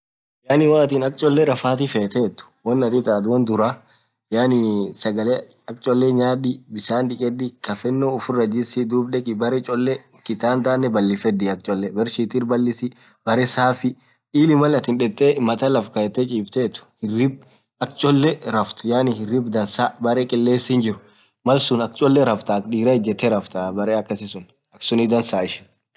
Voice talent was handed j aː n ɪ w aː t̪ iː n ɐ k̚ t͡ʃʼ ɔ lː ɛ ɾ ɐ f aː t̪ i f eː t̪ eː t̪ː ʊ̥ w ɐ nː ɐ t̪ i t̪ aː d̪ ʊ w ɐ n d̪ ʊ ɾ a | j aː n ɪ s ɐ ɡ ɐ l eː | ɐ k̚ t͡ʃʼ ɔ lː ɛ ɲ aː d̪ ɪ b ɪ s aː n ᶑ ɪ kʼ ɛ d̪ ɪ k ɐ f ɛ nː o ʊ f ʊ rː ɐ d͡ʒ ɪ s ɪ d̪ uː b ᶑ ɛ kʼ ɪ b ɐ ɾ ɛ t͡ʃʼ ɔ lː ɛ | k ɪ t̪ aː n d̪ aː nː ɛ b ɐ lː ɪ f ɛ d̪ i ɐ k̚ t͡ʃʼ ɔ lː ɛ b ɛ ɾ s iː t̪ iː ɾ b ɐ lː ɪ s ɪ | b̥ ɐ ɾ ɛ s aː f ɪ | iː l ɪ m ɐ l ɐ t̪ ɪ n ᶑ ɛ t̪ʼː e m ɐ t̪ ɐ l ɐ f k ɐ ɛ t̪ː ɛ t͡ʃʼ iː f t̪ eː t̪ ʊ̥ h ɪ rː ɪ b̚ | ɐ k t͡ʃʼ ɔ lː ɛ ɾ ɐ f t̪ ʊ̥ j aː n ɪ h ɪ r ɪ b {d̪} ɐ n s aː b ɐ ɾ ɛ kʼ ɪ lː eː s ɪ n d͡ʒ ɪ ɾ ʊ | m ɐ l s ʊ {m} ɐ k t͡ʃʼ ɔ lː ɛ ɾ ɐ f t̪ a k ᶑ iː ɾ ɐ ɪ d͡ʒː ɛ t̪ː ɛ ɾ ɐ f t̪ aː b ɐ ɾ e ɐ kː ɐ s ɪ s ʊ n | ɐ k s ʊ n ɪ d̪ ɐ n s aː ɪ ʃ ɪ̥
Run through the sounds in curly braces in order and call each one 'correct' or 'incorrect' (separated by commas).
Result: correct, incorrect